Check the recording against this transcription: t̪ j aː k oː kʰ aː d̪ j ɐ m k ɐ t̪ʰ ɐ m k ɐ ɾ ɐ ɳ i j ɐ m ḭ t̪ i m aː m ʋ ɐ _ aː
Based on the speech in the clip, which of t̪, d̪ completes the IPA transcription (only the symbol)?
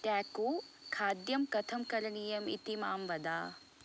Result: d̪